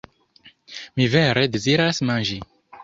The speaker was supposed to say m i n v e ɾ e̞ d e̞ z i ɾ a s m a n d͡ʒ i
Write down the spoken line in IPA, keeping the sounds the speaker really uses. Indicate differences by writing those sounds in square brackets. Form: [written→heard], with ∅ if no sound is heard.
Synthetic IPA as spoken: m i [n→∅] v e ɾ e̞ d e̞ z i ɾ a s m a n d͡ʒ i